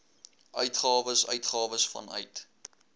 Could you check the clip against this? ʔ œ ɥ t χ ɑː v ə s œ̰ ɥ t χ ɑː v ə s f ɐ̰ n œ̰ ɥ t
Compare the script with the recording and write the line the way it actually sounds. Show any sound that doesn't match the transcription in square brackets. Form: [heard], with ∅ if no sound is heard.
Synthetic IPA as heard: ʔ œ ɥ t χ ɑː v ə s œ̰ ɥ t χ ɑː v ə s f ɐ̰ n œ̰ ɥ t